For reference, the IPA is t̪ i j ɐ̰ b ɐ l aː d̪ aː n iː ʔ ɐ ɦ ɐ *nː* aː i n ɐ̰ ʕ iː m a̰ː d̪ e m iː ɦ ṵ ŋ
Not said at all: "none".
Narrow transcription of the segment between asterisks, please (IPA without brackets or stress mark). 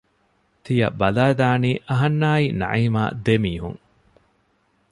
nː